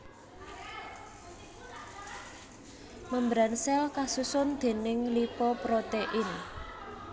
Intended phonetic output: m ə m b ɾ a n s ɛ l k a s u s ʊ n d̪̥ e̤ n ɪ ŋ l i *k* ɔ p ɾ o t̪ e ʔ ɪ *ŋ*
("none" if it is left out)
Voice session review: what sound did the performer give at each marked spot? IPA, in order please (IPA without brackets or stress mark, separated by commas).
p, n